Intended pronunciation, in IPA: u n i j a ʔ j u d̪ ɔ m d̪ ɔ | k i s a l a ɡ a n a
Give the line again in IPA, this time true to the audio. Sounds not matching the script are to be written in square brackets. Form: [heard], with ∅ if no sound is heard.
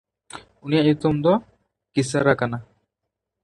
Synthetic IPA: u n i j a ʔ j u [t̪] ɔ m d̪ ɔ | k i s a [ɾ] a [k] a n a